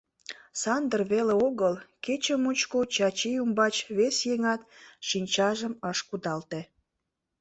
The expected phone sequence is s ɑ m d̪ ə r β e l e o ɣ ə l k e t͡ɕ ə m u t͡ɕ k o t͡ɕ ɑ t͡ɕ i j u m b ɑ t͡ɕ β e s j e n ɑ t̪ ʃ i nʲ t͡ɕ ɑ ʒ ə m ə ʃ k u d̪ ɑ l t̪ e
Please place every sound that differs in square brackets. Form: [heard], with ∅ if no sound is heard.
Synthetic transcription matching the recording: s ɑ [n] d̪ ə r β e l e o ɣ ə l k e t͡ɕ ə m u t͡ɕ k o t͡ɕ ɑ t͡ɕ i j u m b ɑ t͡ɕ β e s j e [ŋ] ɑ t̪ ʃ i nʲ t͡ɕ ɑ ʒ ə m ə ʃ k u d̪ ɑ l t̪ e